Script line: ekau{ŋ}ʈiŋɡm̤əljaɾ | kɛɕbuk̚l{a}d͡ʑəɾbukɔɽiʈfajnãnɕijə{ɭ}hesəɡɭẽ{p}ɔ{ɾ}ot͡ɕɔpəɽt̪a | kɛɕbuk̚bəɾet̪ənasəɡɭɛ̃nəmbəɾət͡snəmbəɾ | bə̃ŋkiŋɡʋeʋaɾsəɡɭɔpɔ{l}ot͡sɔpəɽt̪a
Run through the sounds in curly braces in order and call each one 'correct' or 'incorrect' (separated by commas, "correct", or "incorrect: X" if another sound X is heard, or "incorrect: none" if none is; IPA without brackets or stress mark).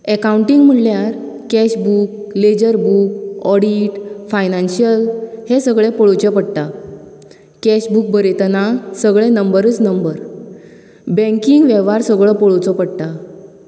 incorrect: ɳ, incorrect: e, incorrect: l, correct, incorrect: ɭ, incorrect: ɭ